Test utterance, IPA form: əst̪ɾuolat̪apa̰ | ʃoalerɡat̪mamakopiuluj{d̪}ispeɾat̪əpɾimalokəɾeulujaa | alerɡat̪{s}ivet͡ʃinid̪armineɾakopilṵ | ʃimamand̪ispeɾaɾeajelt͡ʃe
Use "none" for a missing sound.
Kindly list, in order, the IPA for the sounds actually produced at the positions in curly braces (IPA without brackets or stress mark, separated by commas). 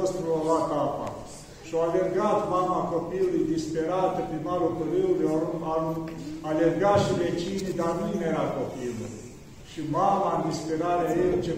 d̪, ʃ